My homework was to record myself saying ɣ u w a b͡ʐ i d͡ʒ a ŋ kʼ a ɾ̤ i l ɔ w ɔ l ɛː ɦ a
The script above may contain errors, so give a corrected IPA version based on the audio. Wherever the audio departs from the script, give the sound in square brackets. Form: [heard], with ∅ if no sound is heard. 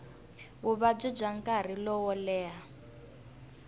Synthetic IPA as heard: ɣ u [β] a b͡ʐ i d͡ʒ a ŋ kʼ a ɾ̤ i l ɔ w ɔ l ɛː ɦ a